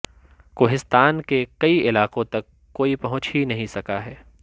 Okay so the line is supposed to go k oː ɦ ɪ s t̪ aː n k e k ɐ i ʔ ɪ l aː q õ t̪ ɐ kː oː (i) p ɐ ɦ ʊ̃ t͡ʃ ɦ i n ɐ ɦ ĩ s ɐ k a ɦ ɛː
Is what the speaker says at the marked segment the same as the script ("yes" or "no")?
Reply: yes